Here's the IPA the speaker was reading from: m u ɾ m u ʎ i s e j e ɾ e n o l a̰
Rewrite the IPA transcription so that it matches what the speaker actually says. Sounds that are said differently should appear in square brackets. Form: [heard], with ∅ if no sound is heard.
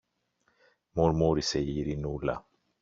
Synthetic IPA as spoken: m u ɾ m u [ɾ] i s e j [i] ɾ [i] n [u] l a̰